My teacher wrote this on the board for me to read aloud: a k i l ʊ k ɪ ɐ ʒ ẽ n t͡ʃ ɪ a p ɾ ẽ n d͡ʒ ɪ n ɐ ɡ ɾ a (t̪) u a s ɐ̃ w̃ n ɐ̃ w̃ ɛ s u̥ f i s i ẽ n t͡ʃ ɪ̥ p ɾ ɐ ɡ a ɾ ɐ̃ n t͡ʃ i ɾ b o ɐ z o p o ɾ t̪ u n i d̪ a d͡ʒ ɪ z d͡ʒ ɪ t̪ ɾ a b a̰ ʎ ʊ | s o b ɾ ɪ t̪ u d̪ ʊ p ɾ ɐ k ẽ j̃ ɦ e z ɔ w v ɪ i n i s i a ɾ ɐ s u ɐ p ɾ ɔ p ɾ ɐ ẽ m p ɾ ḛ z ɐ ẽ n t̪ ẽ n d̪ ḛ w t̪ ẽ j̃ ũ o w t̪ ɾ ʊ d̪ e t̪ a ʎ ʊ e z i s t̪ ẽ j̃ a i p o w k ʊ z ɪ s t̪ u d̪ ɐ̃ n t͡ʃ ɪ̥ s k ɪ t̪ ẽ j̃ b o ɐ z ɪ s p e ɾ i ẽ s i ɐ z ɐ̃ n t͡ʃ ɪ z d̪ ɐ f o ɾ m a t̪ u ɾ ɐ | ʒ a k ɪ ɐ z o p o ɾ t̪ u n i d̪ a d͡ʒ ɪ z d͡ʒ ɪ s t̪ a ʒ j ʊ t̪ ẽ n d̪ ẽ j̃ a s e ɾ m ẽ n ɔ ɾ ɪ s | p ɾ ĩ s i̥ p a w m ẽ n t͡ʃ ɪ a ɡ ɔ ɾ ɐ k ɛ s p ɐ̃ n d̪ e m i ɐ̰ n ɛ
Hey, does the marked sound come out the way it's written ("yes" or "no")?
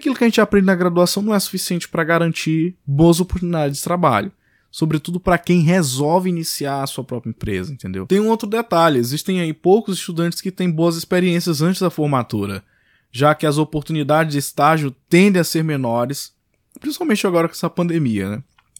no